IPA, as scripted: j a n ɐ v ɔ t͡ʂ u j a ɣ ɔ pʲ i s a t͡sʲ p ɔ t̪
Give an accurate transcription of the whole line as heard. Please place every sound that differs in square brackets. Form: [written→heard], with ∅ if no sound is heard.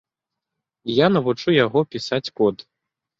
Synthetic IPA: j a n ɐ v [ɔ→u] t͡ʂ u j a ɣ ɔ pʲ i s a t͡sʲ [p→k] ɔ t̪